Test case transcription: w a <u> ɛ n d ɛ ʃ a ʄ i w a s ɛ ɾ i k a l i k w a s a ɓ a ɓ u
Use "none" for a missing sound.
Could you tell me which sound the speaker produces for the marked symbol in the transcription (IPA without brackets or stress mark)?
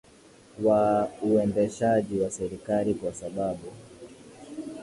u